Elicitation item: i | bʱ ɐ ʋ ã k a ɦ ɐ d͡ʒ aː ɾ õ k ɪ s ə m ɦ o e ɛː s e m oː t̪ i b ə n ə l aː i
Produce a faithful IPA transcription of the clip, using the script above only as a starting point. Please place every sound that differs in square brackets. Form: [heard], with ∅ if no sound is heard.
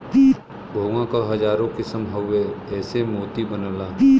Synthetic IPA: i | bʱ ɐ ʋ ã k a ɦ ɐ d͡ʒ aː ɾ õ k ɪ s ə m ɦ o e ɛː s e m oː t̪ i b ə n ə l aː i